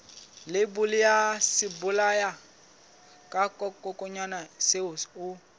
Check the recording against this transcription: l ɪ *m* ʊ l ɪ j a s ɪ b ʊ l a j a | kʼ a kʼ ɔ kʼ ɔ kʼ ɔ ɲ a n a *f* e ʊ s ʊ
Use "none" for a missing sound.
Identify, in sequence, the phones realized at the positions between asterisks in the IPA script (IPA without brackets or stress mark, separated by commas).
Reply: b, s